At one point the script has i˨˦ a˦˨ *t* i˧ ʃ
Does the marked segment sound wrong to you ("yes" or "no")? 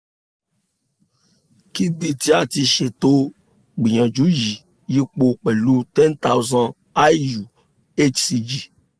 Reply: no